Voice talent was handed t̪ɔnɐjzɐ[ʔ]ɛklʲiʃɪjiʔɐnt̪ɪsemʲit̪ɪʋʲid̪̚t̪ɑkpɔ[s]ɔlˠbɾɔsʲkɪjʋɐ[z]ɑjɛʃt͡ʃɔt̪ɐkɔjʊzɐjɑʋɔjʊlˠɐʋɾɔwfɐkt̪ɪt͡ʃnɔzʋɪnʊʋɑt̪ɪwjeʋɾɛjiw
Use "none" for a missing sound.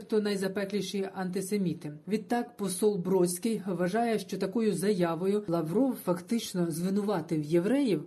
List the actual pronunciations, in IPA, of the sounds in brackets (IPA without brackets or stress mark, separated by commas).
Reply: p, s, ʒ